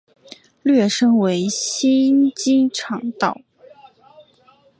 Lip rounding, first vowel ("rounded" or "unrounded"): unrounded